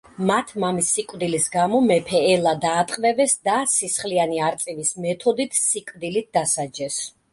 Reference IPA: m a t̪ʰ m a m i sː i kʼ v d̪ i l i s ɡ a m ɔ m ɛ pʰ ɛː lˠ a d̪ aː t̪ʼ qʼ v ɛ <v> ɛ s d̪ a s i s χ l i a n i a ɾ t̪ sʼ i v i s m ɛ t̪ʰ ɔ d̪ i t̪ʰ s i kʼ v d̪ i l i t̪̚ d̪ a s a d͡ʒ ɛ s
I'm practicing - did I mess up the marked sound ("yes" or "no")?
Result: no